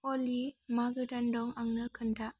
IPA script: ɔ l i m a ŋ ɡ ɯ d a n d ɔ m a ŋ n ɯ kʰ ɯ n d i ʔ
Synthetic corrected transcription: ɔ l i m a ɡ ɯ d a n d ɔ ŋ a ŋ n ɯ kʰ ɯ n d a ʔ